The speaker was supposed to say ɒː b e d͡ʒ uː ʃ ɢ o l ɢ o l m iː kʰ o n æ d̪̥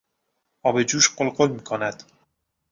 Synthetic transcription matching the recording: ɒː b e d͡ʒ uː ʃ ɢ o l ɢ o l m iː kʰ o n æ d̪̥

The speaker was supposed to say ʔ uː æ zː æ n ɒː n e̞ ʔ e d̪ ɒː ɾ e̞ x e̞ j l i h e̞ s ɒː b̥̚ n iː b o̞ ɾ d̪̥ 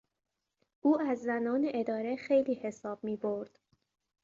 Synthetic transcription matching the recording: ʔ uː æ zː æ n ɒː n e̞ ʔ e d̪ ɒː ɾ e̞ x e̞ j l iː h e̞ s ɒː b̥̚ m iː b o̞ ɾ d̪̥

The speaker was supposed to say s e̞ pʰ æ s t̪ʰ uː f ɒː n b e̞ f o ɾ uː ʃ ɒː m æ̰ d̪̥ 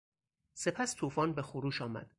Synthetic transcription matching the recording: s e̞ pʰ æ s t̪ʰ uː f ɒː n b e̞ x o ɾ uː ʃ ɒː m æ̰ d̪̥

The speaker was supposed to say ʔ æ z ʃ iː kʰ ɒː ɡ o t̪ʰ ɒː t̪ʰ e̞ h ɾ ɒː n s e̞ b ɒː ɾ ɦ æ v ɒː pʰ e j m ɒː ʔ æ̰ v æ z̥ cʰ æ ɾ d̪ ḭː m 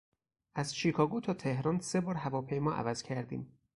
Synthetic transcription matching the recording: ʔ æ z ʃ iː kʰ ɒː ɡ o t̪ʰ ɒː t̪ʰ e̞ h ɾ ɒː n s e̞ b ɒː ɾ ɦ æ v ɒː pʰ e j m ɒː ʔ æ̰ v æ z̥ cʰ æ ɾ d̪ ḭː m

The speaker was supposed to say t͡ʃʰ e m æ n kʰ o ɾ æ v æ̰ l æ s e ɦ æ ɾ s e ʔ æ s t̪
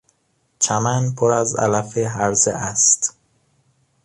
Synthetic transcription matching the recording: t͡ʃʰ æ m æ n pʰ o ɾ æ z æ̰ l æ f e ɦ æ ɾ z e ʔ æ s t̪

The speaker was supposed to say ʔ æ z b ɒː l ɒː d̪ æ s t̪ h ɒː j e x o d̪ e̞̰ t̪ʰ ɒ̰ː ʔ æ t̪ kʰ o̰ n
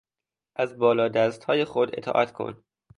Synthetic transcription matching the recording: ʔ æ z b ɒː l ɒː d̪ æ s t̪ h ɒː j e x o d̪ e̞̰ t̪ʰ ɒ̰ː ʔ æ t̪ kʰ o̰ n

